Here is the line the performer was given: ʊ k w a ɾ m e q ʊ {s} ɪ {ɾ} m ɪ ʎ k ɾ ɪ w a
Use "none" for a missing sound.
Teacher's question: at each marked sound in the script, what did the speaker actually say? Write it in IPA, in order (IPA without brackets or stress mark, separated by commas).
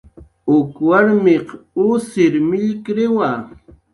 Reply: s, ɾ